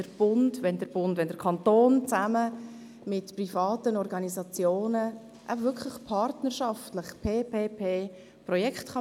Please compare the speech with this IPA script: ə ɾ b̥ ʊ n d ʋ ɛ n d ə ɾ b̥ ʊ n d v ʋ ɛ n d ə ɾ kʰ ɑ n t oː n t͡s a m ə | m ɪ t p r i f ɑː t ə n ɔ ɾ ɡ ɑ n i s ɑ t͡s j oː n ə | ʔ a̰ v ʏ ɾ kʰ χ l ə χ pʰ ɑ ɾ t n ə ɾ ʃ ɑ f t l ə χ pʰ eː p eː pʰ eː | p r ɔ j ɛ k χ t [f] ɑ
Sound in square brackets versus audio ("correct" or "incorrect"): incorrect